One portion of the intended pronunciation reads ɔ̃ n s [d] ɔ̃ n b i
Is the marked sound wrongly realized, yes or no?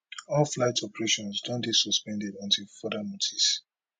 no